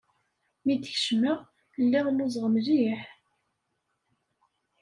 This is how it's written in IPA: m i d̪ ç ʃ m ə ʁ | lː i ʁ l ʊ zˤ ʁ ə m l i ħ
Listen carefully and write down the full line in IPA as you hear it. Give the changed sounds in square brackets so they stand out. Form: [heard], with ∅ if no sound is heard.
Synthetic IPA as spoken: m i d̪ ç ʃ m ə ʁ | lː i ʁ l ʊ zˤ ʁ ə m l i ħ